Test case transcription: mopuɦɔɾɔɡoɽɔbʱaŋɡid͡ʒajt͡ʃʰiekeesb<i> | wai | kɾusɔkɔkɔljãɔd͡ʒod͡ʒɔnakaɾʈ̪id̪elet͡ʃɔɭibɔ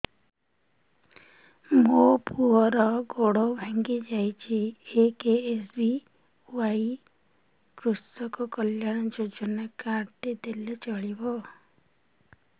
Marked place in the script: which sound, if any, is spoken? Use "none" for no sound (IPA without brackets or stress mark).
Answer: i